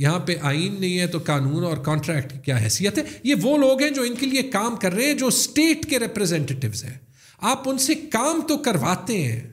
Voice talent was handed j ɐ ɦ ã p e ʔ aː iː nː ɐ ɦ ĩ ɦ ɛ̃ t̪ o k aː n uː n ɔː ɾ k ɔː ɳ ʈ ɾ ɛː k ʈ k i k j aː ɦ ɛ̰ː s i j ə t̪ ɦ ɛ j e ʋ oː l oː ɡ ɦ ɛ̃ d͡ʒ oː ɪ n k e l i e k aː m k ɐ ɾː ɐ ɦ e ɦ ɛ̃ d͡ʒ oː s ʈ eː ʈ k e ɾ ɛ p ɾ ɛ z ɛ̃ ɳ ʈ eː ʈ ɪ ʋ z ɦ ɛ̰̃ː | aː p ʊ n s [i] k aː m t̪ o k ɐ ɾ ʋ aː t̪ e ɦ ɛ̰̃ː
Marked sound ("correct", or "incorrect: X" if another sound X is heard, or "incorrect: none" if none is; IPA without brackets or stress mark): incorrect: e